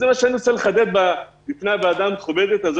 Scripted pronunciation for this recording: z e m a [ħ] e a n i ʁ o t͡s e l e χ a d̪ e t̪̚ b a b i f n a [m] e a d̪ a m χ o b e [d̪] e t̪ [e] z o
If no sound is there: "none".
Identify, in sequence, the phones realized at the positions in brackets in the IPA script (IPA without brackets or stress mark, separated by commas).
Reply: ʃ, b, d̪, a